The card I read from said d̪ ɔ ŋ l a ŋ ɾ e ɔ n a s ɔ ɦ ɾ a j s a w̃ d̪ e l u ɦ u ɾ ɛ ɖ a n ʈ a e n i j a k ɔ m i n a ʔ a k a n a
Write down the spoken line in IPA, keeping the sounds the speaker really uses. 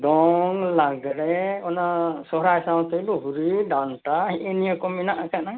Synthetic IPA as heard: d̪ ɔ ŋ l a ɡ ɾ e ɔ n a s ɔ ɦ ɾ a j s a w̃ t̪ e l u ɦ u ɾ i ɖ a n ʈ a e n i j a k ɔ m i n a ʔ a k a n a